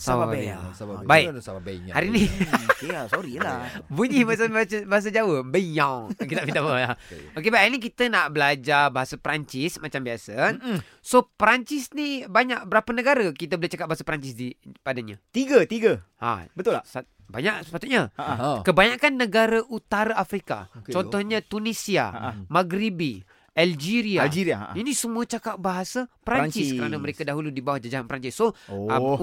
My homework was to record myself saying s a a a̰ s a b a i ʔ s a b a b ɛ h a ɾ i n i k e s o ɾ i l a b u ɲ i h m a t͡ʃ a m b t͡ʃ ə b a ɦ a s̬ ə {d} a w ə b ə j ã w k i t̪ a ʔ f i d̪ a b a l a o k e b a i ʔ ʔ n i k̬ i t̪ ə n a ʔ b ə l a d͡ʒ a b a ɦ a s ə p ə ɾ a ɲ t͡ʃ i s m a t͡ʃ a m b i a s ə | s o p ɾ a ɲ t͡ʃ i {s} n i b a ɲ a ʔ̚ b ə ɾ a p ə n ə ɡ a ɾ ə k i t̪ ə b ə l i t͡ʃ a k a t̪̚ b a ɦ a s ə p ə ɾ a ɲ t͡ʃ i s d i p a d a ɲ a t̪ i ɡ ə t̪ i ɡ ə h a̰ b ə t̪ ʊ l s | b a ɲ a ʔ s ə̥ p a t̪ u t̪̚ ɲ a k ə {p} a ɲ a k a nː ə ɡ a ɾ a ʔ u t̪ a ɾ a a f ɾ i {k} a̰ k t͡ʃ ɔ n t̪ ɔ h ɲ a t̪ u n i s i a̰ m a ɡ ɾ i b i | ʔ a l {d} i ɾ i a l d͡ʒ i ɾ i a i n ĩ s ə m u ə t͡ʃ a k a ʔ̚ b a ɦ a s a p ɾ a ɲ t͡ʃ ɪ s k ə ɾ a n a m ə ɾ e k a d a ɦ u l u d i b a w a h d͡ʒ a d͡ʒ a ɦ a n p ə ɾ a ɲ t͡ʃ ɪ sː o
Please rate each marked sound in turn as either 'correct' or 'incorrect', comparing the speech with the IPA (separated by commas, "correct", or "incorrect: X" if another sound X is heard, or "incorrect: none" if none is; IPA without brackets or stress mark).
incorrect: d͡ʒ, correct, incorrect: b, correct, incorrect: d͡ʒ